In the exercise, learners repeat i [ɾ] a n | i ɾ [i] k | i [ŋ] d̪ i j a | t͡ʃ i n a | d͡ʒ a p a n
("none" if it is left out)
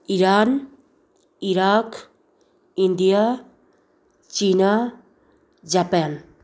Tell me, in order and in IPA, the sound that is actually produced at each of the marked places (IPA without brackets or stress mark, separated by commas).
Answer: ɾ, a, n